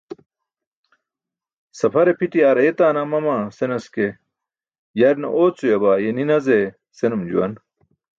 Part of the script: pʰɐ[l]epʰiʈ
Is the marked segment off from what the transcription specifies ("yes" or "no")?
yes